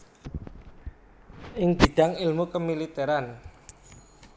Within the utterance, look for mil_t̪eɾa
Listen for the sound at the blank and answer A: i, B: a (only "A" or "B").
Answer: A